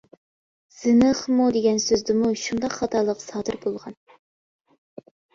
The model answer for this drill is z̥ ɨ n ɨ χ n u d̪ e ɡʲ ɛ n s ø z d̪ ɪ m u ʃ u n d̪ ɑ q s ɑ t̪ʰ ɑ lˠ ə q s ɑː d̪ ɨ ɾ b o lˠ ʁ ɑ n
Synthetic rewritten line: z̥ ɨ n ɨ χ m u d̪ e ɡʲ ɛ n s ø z d̪ ɪ m u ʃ u n d̪ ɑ q χ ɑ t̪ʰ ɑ lˠ ə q s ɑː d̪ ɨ ɾ b o lˠ ʁ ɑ n